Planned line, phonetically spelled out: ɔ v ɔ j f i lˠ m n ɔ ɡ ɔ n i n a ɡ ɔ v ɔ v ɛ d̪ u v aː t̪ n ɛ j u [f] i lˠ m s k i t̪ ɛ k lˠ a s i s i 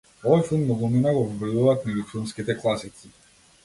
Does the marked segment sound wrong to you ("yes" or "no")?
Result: no